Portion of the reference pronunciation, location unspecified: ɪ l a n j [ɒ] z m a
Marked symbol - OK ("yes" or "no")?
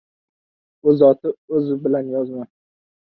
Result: yes